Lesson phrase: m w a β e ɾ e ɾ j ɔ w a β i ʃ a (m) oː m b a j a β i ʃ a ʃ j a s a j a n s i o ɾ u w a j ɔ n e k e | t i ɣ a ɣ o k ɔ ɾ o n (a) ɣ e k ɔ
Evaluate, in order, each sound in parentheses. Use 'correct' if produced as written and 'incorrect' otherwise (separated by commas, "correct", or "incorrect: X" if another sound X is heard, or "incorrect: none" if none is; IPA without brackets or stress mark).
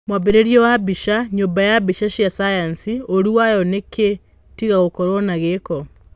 incorrect: ɲ, correct